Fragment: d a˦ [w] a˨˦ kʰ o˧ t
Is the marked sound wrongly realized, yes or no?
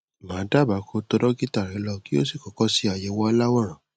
yes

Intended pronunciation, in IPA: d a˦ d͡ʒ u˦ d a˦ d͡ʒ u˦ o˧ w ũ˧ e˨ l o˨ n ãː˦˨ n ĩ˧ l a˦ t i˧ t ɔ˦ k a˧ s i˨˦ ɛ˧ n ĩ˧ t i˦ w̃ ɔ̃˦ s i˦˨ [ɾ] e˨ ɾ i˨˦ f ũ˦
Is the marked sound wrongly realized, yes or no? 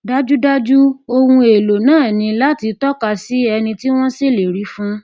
yes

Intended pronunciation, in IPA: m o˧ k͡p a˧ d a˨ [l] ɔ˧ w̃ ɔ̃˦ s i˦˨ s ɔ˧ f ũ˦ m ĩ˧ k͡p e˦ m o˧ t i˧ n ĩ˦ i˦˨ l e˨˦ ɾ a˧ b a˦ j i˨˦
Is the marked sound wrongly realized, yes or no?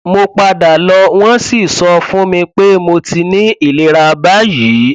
no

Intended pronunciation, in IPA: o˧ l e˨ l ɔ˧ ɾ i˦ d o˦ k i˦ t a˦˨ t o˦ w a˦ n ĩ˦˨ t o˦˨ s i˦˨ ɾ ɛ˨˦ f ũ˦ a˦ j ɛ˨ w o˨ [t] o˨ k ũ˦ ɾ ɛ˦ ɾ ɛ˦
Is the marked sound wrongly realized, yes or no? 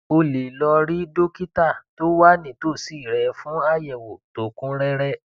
no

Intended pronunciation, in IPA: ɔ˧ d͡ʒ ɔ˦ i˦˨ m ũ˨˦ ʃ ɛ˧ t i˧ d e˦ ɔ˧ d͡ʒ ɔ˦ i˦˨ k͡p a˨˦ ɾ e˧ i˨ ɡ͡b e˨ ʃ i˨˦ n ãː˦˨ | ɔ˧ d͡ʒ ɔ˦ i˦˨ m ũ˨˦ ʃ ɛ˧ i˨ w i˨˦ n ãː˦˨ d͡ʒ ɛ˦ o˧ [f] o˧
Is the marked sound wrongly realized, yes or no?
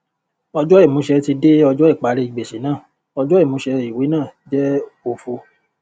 no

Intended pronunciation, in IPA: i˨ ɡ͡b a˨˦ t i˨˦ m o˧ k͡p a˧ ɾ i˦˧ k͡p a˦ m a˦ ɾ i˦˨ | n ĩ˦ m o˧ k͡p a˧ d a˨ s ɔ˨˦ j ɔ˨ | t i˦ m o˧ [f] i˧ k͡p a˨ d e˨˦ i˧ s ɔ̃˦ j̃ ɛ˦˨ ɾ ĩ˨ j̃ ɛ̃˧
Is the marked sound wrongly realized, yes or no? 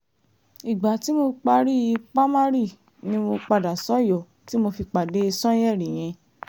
no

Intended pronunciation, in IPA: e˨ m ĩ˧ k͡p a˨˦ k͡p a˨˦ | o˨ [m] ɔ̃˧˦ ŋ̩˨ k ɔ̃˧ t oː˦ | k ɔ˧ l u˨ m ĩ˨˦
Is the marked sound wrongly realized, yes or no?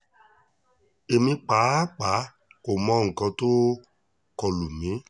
no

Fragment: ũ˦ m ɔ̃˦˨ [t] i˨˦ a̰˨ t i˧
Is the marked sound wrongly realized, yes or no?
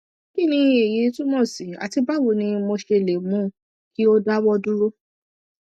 yes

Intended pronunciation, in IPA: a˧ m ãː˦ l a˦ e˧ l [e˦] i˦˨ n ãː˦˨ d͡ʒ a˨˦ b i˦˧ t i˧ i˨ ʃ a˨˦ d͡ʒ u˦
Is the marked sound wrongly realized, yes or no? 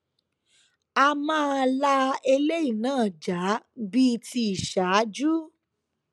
no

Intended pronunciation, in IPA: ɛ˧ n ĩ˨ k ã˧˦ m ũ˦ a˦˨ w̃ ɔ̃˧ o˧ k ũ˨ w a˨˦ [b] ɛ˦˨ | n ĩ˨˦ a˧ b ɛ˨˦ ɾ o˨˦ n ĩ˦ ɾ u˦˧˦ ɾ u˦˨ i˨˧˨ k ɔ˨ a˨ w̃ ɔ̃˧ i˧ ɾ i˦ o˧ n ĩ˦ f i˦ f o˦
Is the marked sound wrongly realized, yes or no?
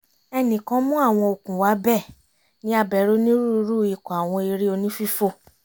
no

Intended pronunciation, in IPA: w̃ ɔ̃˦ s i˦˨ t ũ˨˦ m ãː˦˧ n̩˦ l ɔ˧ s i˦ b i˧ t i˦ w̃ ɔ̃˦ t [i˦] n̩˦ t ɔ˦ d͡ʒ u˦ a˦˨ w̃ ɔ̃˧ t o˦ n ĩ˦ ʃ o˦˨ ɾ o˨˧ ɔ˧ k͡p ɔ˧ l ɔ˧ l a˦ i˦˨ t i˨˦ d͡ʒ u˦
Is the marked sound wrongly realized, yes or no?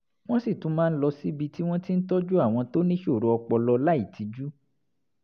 no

